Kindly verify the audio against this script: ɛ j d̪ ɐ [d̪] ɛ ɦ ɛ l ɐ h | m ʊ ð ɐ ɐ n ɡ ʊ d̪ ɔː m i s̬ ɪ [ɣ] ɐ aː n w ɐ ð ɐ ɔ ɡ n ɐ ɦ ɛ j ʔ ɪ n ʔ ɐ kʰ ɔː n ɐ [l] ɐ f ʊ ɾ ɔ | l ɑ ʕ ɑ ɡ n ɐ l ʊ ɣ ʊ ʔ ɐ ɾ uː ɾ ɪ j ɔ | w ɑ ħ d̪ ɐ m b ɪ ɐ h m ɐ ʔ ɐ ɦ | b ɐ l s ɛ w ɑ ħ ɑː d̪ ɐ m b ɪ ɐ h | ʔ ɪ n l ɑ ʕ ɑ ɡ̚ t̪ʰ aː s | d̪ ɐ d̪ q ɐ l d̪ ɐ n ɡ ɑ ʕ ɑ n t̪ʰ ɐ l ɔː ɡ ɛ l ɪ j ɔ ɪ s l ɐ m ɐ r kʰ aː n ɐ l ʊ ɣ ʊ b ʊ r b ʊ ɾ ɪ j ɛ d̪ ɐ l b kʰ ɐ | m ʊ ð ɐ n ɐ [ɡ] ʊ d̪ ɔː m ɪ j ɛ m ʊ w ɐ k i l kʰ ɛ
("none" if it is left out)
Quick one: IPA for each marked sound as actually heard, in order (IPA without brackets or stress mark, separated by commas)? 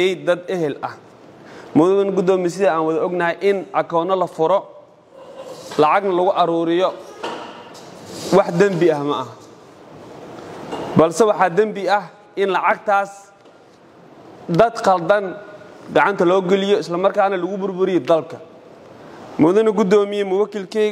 d̪, ð, l, ɡ